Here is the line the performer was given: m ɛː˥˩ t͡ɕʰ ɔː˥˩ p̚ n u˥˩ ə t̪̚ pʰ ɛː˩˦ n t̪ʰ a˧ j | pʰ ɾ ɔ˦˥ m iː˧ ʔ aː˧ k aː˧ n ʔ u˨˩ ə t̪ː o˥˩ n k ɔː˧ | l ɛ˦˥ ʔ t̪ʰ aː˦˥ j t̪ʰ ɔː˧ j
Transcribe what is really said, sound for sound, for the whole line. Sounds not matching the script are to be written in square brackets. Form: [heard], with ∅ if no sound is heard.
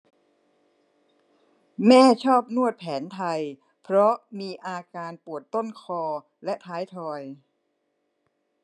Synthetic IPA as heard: m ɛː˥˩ t͡ɕʰ ɔː˥˩ p̚ n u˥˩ ə t̪̚ pʰ ɛː˩˦ n t̪ʰ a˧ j | pʰ ɾ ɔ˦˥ m iː˧ ʔ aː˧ k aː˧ n [p] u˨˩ ə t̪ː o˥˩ n [kʰ] ɔː˧ | l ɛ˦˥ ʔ t̪ʰ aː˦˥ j t̪ʰ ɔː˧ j